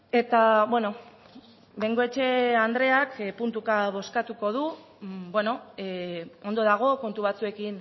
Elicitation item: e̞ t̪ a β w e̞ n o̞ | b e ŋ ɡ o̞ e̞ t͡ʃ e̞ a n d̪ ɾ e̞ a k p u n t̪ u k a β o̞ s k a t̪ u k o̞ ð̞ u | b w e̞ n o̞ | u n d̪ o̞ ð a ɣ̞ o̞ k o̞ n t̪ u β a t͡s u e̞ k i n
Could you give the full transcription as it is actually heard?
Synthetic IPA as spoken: e̞ t̪ a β w e̞ n o̞ | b e ŋ ɡ o̞ e̞ t͡ʃ e̞ a n d̪ ɾ e̞ a k p u n t̪ u k a β o̞ s k a t̪ u k o̞ ð̞ u | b w e̞ n o̞ | o n d̪ o̞ ð a ɣ̞ o̞ k o̞ n t̪ u β a t͡s u e̞ k i n